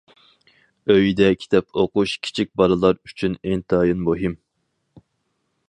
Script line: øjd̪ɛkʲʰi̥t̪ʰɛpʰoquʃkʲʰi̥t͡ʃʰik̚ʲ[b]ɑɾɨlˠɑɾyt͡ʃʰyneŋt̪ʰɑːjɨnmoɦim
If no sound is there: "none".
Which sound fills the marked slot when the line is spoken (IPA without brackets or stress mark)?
b